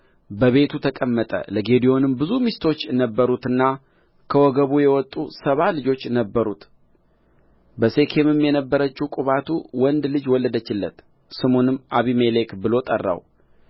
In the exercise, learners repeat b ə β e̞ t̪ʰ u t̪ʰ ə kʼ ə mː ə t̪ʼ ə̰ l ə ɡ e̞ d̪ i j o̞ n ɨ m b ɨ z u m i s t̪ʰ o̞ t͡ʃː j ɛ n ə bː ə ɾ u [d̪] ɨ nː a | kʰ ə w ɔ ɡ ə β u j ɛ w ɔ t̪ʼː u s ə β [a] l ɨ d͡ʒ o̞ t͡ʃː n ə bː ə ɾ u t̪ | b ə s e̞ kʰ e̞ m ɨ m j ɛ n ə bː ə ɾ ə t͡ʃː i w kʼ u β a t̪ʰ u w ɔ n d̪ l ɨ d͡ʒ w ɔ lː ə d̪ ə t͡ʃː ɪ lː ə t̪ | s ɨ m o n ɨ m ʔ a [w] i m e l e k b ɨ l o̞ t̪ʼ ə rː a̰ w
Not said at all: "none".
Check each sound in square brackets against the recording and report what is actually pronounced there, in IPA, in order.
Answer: t̪, a, β

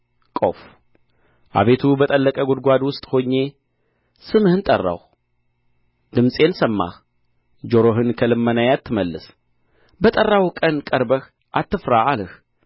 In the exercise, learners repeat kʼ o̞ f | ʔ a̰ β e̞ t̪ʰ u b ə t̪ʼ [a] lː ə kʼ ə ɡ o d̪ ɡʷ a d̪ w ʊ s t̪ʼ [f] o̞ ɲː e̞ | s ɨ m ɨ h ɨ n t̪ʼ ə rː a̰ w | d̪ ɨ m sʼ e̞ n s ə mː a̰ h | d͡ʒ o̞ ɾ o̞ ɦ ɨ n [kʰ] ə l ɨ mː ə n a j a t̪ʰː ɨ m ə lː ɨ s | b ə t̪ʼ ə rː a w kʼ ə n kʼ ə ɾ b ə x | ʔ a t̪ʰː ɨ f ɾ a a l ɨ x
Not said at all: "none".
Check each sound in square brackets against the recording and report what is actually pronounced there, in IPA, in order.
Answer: ə, h, kʰ

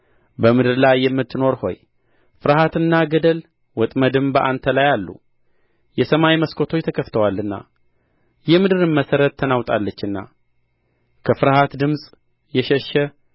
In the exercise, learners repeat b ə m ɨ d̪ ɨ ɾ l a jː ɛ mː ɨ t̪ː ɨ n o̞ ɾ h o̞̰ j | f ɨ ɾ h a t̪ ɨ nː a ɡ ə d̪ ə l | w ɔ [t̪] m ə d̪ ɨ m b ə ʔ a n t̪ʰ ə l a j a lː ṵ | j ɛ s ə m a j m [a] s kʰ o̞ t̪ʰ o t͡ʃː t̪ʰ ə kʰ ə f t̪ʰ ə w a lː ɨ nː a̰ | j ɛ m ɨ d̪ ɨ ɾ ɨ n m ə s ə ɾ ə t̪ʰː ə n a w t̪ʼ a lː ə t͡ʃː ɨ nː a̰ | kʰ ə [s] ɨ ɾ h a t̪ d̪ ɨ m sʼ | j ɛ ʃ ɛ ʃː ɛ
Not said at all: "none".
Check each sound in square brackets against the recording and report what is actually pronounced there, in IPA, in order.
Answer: t̪ʼ, ə, f

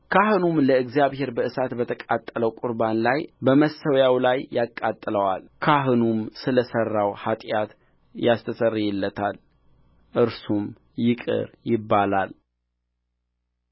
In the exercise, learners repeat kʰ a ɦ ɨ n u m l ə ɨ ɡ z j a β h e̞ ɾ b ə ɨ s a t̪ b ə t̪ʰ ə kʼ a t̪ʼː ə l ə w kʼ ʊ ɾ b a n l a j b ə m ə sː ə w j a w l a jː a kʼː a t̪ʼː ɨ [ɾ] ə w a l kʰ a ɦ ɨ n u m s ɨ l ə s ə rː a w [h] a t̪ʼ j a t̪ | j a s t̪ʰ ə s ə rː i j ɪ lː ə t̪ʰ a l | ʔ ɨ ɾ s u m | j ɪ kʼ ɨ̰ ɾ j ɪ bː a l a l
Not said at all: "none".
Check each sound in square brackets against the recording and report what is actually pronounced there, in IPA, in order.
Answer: l, h

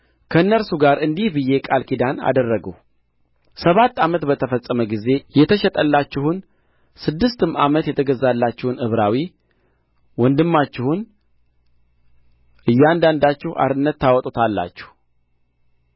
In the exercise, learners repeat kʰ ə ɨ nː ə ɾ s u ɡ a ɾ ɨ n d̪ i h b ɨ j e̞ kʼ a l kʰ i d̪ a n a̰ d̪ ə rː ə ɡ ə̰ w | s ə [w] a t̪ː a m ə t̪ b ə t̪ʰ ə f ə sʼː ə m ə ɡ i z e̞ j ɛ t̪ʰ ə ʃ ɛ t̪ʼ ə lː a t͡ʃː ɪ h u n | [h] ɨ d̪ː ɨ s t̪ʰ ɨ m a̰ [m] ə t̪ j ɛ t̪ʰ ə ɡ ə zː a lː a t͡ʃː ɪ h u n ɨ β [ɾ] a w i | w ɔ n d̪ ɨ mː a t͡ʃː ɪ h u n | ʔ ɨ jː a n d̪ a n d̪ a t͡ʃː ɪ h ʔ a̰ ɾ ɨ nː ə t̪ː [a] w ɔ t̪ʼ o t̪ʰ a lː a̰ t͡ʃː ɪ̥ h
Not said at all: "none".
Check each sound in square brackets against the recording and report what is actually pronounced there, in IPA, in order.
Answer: β, s, m, ɾ, a

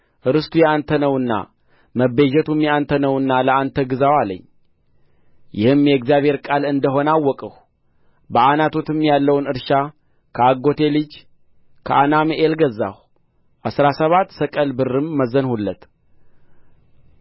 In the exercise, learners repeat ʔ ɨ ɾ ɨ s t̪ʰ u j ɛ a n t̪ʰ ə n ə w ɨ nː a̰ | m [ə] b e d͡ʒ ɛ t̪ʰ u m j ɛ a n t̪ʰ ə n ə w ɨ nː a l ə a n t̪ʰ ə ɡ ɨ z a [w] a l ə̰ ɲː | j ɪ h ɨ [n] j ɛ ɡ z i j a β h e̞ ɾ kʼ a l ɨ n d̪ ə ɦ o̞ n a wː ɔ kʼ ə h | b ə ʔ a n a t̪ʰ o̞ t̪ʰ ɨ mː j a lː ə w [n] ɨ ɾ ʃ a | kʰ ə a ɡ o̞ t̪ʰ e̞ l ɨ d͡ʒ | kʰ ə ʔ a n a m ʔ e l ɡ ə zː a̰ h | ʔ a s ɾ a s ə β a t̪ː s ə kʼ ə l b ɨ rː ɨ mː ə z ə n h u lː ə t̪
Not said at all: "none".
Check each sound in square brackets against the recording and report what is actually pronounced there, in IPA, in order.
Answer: ə, w, m, n

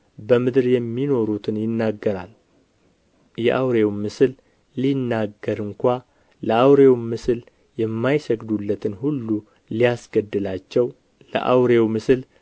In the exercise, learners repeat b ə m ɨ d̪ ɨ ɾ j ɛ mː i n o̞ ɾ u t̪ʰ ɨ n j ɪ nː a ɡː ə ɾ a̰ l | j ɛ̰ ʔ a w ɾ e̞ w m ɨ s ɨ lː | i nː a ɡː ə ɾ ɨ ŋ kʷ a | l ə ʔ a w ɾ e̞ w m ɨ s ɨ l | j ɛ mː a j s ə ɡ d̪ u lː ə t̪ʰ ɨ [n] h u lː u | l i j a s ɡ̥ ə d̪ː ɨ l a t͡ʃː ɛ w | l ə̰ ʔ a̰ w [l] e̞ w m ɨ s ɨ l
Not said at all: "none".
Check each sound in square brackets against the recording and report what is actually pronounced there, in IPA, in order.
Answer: n, ɾ

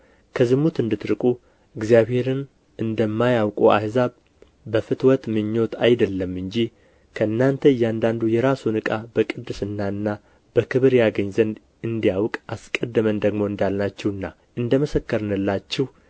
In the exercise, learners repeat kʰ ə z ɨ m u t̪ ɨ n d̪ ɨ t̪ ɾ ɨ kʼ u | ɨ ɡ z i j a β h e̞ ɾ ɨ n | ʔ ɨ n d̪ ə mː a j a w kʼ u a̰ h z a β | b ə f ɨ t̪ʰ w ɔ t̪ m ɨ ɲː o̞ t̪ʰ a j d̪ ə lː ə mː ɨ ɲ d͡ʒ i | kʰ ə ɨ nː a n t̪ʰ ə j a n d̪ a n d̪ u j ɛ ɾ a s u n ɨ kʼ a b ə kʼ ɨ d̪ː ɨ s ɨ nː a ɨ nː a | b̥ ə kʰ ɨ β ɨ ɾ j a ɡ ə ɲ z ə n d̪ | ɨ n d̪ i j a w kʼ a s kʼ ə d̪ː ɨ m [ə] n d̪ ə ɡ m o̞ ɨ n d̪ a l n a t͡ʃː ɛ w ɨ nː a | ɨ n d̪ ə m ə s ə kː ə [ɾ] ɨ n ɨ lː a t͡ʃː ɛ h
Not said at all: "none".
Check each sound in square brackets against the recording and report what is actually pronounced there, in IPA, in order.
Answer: ə, ɾ

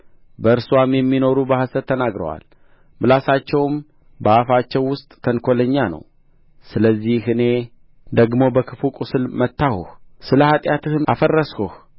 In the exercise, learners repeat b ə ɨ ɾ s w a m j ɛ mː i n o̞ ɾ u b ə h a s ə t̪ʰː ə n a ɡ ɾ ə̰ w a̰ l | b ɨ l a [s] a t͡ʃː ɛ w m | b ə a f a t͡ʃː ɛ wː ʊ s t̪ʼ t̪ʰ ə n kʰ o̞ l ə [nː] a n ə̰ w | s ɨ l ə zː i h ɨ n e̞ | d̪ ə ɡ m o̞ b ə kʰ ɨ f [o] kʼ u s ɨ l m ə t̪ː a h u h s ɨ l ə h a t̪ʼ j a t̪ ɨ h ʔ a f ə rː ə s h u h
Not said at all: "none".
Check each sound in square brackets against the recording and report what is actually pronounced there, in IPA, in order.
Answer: s, ɲː, u

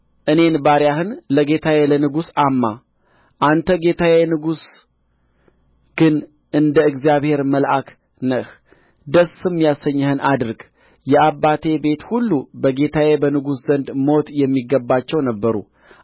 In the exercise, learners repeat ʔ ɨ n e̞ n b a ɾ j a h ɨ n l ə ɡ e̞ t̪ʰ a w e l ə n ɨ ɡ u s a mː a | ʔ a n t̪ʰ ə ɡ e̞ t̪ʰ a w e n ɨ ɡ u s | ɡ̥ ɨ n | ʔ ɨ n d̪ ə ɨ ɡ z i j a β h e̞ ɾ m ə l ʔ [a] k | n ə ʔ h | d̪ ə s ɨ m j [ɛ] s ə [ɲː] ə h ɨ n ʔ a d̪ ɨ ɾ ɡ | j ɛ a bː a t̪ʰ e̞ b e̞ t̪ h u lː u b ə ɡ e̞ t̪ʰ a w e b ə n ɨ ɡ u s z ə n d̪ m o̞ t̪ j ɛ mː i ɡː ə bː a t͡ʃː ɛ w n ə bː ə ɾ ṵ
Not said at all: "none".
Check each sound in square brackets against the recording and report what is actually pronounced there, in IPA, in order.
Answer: a, a, ɲː

